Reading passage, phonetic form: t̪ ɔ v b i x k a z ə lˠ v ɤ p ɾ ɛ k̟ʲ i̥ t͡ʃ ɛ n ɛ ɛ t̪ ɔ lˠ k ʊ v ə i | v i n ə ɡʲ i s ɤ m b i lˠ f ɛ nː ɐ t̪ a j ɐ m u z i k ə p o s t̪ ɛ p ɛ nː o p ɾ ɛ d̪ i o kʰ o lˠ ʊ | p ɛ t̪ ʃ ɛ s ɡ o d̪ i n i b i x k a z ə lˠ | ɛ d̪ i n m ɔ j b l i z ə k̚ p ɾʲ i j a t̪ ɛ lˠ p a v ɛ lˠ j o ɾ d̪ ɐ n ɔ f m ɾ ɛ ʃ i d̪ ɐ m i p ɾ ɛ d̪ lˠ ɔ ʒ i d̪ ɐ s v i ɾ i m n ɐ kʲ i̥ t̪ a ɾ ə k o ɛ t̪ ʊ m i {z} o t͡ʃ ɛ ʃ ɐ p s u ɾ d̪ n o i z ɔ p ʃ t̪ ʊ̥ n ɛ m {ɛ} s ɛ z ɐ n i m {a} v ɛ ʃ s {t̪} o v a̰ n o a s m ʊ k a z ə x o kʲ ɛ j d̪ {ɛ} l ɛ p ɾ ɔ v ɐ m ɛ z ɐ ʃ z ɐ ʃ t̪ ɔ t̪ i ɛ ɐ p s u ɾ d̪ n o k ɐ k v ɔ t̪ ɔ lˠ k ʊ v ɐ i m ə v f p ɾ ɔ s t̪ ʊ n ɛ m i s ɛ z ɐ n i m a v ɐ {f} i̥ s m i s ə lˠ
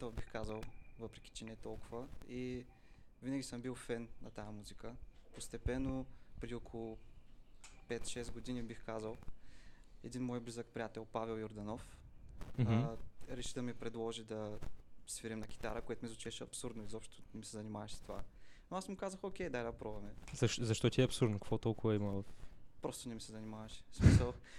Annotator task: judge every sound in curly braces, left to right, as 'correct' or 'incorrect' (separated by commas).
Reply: correct, incorrect, correct, correct, incorrect, incorrect